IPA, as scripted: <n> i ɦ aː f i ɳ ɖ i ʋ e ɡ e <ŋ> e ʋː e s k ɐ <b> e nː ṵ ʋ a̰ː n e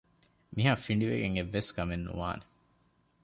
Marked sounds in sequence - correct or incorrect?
incorrect: m, correct, incorrect: m

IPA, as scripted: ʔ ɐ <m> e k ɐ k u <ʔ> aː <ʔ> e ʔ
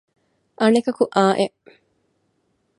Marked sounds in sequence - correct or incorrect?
incorrect: n, correct, correct

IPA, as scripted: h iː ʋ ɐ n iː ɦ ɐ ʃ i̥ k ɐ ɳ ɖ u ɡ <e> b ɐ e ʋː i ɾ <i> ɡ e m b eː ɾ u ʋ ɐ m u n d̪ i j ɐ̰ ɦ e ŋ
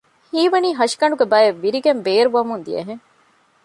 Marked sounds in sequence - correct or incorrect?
correct, correct

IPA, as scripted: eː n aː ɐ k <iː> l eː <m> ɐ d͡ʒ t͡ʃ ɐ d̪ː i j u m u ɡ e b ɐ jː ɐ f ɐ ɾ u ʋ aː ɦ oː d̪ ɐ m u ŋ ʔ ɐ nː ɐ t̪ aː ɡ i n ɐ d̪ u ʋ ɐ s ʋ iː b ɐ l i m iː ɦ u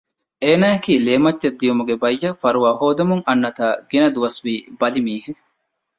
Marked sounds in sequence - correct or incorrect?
correct, correct

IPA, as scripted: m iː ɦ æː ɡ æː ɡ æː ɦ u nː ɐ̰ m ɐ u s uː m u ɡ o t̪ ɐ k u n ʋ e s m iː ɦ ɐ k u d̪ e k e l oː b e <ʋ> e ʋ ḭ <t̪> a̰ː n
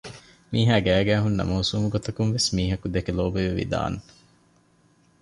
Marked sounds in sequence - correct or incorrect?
correct, incorrect: d̪

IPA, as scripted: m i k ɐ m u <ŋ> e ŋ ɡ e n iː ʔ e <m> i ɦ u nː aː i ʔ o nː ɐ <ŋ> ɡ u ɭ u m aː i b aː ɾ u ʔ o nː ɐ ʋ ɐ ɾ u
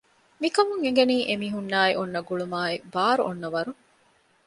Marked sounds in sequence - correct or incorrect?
correct, correct, incorrect: none

